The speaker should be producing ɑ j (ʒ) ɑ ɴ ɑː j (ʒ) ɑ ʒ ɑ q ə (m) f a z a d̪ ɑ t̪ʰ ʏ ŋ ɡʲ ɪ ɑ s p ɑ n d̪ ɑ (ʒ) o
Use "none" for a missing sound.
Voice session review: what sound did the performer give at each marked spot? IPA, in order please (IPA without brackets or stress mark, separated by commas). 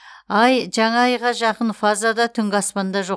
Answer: ʒ, ʁ, n, ʒ